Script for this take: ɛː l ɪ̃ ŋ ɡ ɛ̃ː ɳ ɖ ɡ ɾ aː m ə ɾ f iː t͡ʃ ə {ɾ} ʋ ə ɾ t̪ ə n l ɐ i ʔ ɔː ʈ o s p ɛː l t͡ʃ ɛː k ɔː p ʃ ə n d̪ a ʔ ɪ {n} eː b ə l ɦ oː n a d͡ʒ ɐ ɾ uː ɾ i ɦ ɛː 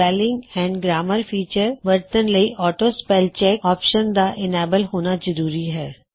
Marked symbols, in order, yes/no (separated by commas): yes, yes